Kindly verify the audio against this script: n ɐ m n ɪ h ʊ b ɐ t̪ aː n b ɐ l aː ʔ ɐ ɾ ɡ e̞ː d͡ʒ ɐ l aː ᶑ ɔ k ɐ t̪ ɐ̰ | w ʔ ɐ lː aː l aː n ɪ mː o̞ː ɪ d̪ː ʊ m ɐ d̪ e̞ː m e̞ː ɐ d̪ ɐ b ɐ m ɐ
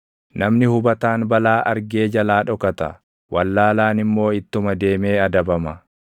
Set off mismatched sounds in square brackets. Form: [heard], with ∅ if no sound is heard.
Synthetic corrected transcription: n ɐ m n ɪ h ʊ b ɐ t̪ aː n b ɐ l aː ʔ ɐ ɾ ɡ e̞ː d͡ʒ ɐ l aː ᶑ ɔ k ɐ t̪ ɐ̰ | w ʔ ɐ lː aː l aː n ɪ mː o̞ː ɪ [t̪ː] ʊ m ɐ d̪ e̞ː m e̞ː ɐ d̪ ɐ b ɐ m ɐ